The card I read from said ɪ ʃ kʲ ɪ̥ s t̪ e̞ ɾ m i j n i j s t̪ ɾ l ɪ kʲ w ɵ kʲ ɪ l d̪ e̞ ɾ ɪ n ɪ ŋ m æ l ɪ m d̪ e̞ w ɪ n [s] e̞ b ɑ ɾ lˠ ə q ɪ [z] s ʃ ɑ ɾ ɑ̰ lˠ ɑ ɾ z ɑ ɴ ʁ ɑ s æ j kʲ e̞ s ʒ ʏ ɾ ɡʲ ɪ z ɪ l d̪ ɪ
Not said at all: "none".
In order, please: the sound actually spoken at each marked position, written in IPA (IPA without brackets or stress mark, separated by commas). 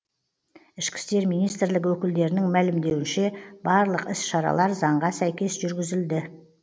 ʃ, none